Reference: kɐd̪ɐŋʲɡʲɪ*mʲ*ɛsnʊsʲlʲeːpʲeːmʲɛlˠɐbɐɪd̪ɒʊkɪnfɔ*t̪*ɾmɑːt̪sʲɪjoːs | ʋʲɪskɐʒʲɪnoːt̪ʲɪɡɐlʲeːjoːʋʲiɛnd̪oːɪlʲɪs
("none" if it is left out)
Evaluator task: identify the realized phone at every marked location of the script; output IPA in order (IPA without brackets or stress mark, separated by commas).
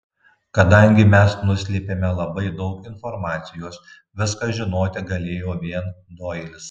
mʲ, none